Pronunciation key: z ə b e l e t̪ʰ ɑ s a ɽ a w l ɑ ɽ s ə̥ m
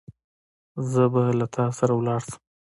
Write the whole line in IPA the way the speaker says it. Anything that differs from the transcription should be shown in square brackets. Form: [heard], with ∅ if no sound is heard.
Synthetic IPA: z ə b [a] l [a] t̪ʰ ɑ s a [ɾ] a w l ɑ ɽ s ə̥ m